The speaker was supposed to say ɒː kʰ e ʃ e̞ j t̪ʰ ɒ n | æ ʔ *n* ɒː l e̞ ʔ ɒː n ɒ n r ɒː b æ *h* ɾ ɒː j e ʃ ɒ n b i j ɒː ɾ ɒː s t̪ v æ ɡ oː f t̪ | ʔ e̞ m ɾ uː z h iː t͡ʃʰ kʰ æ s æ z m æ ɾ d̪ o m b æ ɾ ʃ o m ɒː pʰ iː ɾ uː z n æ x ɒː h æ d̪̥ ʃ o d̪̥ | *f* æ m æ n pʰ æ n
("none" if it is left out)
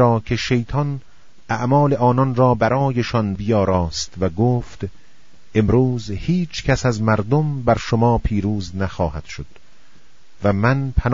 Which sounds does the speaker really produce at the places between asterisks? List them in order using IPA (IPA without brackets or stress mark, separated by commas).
m, none, v